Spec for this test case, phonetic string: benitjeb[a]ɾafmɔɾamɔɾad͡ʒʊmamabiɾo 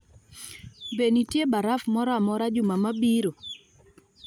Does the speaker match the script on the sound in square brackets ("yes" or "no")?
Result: yes